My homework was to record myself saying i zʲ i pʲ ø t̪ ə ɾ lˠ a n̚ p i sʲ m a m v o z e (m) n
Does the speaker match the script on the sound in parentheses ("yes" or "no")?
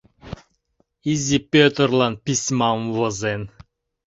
no